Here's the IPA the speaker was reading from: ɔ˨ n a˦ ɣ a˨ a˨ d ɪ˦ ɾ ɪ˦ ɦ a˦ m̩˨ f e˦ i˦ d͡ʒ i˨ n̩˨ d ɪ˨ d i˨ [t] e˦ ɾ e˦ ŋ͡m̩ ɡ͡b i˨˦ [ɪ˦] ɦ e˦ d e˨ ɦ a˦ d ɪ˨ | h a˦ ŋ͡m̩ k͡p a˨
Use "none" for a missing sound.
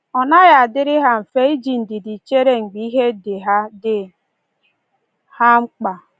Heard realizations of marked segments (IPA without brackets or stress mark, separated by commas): t͡ʃ, i˦